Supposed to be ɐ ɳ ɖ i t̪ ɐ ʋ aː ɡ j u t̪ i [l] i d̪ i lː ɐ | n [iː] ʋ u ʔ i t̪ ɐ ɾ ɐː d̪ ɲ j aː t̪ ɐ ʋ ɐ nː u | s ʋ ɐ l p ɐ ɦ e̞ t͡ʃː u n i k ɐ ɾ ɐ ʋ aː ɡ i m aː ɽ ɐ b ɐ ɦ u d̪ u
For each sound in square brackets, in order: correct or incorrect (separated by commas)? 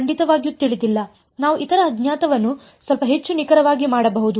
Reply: incorrect, incorrect